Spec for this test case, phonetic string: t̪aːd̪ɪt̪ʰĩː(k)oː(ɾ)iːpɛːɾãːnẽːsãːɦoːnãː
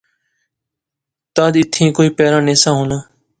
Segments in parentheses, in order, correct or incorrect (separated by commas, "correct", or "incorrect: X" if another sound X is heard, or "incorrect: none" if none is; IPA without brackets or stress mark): correct, incorrect: none